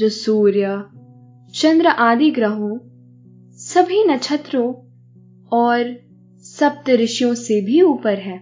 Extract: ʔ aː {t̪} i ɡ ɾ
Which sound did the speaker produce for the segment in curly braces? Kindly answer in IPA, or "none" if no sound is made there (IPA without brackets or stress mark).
d̪